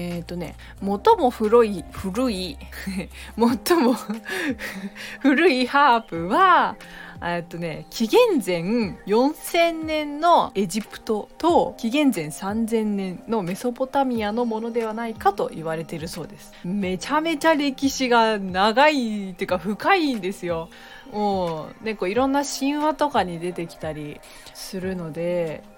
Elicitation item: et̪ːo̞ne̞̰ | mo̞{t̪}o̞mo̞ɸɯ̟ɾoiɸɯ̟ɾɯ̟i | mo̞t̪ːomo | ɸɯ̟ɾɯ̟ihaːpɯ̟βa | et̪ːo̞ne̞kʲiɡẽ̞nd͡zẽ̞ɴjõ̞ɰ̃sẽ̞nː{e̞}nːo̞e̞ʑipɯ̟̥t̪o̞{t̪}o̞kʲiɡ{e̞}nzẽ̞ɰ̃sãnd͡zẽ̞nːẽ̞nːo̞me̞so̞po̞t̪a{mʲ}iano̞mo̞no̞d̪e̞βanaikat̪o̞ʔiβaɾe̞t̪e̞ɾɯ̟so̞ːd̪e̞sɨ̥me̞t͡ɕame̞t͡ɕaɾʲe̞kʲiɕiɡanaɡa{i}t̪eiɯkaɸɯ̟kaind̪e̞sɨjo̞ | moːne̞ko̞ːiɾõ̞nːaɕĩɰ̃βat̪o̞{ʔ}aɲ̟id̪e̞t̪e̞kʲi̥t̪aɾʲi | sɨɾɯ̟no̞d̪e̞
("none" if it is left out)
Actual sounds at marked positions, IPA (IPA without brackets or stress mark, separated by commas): t̪, ẽ̞, t̪, ẽ̞, mʲ, i, k